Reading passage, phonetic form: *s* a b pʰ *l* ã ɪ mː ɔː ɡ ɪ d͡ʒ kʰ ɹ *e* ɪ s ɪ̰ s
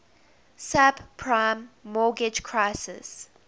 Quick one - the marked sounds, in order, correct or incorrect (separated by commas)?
correct, incorrect, incorrect